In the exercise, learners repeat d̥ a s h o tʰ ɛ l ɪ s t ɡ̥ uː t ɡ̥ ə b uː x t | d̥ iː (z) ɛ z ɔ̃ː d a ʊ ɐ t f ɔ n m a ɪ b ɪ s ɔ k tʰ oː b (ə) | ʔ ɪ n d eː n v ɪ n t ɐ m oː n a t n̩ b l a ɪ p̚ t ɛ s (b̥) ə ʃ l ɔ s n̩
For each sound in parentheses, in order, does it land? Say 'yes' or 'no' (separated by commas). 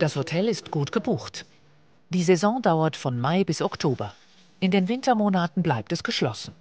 yes, no, no